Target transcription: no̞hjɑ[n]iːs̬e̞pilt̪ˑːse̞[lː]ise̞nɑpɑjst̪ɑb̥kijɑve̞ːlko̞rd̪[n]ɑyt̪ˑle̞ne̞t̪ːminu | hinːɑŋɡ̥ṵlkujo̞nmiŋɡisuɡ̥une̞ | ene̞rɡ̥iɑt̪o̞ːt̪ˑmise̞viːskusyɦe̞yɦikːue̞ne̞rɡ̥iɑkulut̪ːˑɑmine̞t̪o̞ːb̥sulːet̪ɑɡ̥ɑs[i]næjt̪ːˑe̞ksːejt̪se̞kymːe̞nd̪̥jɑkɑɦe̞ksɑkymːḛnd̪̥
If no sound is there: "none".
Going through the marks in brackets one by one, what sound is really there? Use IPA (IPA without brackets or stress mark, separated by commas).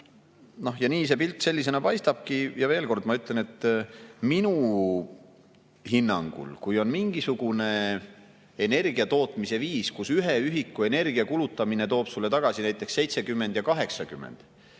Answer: n, lː, m, i